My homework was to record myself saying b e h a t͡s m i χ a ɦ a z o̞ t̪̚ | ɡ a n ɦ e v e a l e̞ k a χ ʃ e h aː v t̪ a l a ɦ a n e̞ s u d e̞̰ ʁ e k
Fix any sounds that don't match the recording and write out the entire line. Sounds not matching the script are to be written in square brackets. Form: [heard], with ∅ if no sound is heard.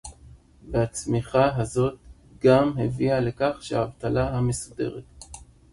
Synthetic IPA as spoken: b e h a t͡s m i χ a ɦ a z o̞ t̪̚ | ɡ a [m] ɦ e v [i] a l e̞ k a χ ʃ e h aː v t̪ a l a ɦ a [m] e̞ s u d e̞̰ ʁ e [t]

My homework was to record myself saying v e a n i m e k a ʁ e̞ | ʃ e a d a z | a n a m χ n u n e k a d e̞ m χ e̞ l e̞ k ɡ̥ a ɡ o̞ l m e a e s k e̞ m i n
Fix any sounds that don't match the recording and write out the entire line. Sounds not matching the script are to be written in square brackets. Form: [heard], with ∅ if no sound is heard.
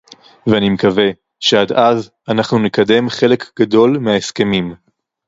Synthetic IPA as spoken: v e a n i m e k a [v] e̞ | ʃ e a d a z | a n a [∅] χ n u n e k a d e̞ m χ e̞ l e̞ k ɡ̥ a [d] o̞ l m e a e s k e̞ m i [m]

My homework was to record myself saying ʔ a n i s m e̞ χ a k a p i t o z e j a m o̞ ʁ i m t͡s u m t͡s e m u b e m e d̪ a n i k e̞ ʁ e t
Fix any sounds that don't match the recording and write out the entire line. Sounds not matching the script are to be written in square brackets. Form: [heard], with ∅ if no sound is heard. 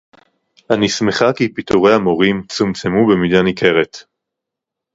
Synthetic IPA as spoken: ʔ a n i s m e̞ χ a k [i] p i t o [ʁ] e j a m o̞ ʁ i m t͡s u m t͡s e m u b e m [i] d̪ a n i k e̞ ʁ e t

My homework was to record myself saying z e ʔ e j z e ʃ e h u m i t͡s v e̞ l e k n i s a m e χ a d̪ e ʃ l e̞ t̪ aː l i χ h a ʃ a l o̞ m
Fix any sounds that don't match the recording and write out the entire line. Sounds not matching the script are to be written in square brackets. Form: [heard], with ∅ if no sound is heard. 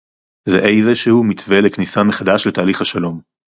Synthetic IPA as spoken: z e ʔ e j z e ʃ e h u m i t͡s v e̞ l e k n i s a m e χ a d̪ [a] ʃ l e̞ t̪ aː l i χ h a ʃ a l o̞ m

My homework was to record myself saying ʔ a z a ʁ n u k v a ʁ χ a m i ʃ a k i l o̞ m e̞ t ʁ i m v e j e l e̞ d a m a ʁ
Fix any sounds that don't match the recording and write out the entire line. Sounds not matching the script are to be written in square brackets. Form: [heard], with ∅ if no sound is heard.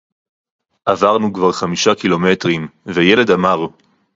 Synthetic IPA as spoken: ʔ a [v] a ʁ n u k v a ʁ χ a m i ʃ a k i l o̞ m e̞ t ʁ i m v e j e l e̞ d a m a ʁ

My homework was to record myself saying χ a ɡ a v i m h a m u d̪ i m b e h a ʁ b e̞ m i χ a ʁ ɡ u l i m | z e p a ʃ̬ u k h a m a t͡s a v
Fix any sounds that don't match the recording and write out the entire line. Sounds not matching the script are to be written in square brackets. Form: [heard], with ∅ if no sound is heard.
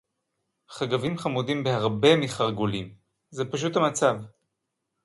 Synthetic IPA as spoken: χ a ɡ a v i m [χ] a m u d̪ i m b e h a ʁ b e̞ m i χ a ʁ ɡ u l i m | z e p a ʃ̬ u [t] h a m a t͡s a v

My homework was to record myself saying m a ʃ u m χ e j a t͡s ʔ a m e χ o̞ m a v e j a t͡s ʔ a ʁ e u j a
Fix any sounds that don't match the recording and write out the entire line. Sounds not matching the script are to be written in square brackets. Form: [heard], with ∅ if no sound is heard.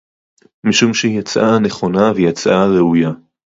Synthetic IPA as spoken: m [i] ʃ u m [ʃ] e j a t͡s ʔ a [n] e χ o̞ [n] a v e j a t͡s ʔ a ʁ e u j a

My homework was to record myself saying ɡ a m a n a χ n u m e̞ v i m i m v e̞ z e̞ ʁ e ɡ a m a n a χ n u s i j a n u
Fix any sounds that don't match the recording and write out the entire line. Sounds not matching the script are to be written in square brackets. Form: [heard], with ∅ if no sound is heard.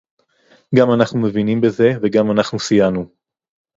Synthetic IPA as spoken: ɡ a m a n a χ n u m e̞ v i [n] i m [b] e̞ z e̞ [v] e ɡ a m a n a χ n u s i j a n u

